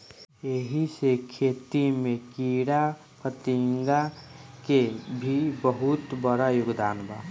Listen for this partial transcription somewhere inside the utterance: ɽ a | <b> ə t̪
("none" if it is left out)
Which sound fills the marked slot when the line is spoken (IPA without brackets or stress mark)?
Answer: p